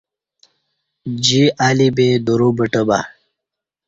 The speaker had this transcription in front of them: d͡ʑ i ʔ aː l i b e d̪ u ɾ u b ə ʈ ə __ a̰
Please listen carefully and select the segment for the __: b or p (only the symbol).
b